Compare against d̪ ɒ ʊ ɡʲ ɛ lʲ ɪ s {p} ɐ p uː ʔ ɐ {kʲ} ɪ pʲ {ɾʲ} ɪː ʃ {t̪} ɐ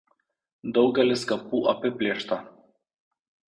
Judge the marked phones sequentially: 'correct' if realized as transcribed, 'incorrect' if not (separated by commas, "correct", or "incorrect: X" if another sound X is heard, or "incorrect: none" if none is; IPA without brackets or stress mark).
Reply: incorrect: k, incorrect: pʲ, incorrect: lʲ, correct